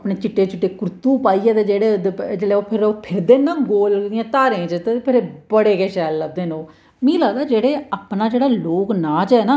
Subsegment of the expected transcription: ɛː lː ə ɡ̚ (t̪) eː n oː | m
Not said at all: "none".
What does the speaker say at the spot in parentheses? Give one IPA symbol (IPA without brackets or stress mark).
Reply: d̪